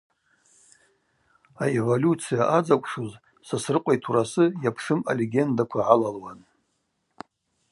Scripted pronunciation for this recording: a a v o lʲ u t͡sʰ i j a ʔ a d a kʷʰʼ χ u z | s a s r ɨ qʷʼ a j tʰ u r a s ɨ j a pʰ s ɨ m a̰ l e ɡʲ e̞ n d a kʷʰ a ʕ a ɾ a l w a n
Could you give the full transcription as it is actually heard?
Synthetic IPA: a e v o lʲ u t͡sʰ i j a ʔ a d͡z a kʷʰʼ ʂ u z | s a s r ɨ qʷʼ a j tʰ u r a s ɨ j a pʰ ʂ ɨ m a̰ l e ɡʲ e̞ n d a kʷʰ a ʕ a l a l w a n

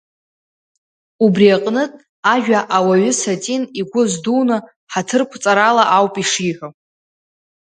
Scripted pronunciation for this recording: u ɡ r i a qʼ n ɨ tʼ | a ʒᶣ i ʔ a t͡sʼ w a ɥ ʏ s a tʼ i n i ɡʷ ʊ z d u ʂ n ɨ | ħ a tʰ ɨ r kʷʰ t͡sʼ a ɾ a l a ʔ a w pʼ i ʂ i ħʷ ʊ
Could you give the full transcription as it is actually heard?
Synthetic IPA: u b r i a qʼ n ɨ tʼ | a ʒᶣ a ʔ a w a ɥ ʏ s a tʼ i n i ɡʷ ʊ z d u n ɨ | ħ a tʰ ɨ r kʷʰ t͡sʼ a ɾ a l a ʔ a w pʼ i ʂ i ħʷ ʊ

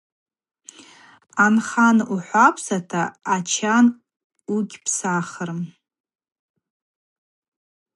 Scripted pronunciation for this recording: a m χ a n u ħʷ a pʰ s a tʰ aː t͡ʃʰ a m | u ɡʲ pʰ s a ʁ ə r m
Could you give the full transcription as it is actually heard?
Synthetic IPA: a n χ a n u ħʷ a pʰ s a tʰ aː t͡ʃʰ a n | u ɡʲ pʰ s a χ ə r m

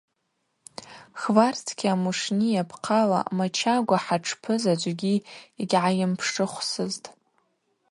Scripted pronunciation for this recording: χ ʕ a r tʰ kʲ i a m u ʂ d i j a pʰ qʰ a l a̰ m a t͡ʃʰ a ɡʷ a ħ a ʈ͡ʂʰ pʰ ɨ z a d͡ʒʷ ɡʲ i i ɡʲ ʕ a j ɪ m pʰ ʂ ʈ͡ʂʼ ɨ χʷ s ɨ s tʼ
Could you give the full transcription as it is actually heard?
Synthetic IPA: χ v a r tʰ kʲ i a m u ʂ n i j a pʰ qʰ a l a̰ m a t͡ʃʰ a ɡʷ a ħ a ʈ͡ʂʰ pʰ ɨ z a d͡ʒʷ ɡʲ i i ɡʲ ʕ a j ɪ m pʰ ʂ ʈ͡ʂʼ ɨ χʷ s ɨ z tʼ

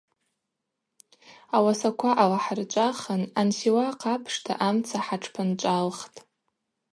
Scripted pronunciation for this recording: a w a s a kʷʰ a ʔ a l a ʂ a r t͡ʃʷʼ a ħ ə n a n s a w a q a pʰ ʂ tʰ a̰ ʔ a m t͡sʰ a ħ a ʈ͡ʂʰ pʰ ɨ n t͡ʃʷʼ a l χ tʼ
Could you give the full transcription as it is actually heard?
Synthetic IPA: a w a s a kʷʰ a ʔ a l a ħ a r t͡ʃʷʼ a χ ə n a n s i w a q a pʰ ʂ tʰ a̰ ʔ a m t͡sʰ a ħ a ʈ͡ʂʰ pʰ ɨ n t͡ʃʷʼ a l χ tʼ

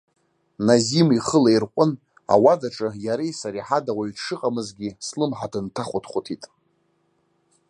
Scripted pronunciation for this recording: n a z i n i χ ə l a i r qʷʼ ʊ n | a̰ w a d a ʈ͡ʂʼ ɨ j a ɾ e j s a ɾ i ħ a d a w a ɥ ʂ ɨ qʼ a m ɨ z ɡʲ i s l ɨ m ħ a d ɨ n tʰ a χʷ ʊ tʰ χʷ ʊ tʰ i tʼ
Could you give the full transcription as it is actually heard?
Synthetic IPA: n a z i m i χ ə l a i r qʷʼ ʊ n | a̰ w a d a ʈ͡ʂʼ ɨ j a ɾ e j s a ɾ i ħ a d a w a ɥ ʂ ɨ qʼ a m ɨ z ɡʲ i s l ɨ m ħ a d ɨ n tʰ a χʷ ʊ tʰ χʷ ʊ tʰ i tʼ

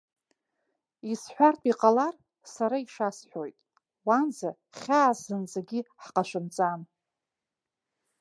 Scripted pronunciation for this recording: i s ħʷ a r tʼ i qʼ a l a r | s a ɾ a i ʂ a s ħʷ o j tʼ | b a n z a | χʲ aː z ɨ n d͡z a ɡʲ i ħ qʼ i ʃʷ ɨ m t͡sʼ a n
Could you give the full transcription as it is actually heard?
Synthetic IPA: i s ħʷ a r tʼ i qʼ a l a r | s a ɾ a i ʂ a s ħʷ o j tʼ | w a n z a | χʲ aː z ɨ n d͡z a ɡʲ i ħ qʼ a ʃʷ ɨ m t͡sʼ a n

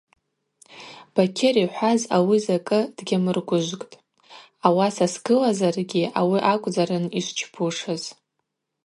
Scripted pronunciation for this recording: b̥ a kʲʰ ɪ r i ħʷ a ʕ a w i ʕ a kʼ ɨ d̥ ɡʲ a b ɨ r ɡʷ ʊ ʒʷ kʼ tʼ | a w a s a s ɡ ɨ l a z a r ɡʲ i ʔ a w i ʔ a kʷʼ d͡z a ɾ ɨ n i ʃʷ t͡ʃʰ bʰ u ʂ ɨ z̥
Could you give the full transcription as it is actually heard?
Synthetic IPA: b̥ a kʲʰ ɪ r i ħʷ a z a w i z a kʼ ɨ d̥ ɡʲ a m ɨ r ɡʷ ʊ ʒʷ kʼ tʼ | a w a s a s ɡ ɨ l a z a r ɡʲ i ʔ a w i ʔ a kʷʼ d͡z a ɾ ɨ n i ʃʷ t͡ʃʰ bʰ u ʂ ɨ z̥

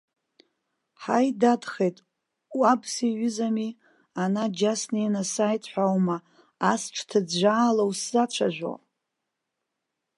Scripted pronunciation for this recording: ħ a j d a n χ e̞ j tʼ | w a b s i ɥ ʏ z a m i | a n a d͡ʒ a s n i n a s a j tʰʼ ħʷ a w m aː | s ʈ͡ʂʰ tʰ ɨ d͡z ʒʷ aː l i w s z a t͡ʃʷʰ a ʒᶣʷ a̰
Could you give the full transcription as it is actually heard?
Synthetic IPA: ħ a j d a d χ e̞ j tʼ | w a b s i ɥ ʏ z a m i | a n a d͡ʒ a s n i n a s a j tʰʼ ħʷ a w m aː | s ʈ͡ʂʰ tʰ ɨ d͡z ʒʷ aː l a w s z a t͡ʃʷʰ a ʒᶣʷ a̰

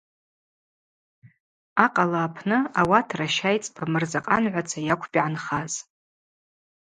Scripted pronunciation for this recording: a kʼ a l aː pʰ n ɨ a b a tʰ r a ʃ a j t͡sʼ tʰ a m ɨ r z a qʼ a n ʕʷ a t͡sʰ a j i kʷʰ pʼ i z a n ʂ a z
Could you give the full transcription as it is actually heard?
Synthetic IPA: a qʼ a l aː pʰ n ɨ a w a tʰ r a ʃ a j t͡sʼ pʰ a m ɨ r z a qʼ a n ʕʷ a t͡sʰ a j a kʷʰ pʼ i ʕ a n χ a z

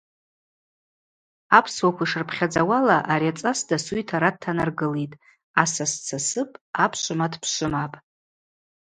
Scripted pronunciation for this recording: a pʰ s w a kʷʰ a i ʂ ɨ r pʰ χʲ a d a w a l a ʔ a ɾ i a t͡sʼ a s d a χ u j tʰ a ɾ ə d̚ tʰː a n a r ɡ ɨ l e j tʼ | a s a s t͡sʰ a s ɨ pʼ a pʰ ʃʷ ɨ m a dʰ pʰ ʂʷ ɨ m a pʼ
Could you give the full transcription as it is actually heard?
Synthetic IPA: a pʰ s w a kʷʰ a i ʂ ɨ r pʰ χʲ a d͡z a w a l a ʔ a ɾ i a t͡sʼ a s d a s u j tʰ a ɾ a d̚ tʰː a n a r ɡ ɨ l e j tʼ | a s a s t͡sʰ a s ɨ pʼ a pʰ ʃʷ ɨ m a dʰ pʰ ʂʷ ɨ m a pʼ

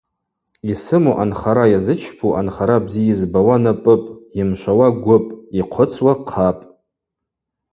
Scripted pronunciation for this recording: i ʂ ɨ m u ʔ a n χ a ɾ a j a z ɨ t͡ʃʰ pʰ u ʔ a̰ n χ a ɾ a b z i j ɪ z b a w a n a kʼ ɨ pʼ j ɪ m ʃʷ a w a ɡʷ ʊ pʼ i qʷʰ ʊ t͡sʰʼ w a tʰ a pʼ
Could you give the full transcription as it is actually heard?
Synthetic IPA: i s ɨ m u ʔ a n χ a ɾ a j a z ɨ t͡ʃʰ pʰ u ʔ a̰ n χ a ɾ a b z i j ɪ z b a w a n a pʼ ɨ pʼ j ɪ m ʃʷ a w a ɡʷ ʊ pʼ i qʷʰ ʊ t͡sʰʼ w a qʰ a pʼ

